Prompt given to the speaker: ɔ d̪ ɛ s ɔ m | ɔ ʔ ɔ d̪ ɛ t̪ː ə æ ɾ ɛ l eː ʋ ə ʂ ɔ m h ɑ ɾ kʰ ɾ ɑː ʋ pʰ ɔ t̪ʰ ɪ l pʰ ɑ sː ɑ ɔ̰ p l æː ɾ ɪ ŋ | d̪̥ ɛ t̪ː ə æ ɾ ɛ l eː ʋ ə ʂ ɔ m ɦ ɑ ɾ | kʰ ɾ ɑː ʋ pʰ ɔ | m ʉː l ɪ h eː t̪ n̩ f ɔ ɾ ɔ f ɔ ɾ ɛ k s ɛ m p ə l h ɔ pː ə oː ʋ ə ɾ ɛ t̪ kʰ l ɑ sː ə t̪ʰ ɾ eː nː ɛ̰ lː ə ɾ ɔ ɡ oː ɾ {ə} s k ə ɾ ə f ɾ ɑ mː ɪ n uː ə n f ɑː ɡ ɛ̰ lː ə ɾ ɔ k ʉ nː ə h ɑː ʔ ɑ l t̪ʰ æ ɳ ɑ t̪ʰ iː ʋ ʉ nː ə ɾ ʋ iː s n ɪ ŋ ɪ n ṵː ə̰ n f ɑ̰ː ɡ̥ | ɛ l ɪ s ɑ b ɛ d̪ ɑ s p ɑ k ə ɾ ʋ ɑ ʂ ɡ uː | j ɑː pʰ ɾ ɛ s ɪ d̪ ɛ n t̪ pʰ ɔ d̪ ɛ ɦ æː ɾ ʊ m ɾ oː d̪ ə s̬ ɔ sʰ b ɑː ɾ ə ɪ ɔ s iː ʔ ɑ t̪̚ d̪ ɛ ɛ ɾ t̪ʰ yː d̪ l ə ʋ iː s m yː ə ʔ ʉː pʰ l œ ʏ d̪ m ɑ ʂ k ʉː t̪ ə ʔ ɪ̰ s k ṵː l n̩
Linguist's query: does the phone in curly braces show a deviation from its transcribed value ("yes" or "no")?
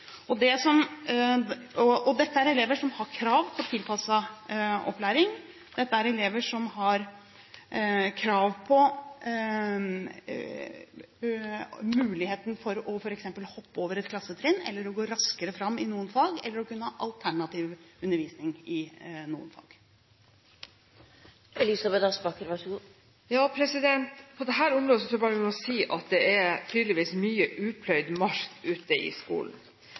yes